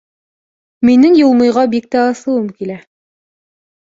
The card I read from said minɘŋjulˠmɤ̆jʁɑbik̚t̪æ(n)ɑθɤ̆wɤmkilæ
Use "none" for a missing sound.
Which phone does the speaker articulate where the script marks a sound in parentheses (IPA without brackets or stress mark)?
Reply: none